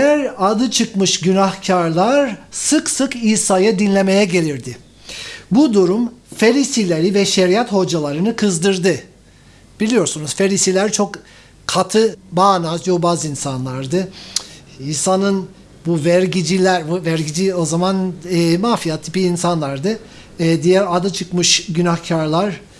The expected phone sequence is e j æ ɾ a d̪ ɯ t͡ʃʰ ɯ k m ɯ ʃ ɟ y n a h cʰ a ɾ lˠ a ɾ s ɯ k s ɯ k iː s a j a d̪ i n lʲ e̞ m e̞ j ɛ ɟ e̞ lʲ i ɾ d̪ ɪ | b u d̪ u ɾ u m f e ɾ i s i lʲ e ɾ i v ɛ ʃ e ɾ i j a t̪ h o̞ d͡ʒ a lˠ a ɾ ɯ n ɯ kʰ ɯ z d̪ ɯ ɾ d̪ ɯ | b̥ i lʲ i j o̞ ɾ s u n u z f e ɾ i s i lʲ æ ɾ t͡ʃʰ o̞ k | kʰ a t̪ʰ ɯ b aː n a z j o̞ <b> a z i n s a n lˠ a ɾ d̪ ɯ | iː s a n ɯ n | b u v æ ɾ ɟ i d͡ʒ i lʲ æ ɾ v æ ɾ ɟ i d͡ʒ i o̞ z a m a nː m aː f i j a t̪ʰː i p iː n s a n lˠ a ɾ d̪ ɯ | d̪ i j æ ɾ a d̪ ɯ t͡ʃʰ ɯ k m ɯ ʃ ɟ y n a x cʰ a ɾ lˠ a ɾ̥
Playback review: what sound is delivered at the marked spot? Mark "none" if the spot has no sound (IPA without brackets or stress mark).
b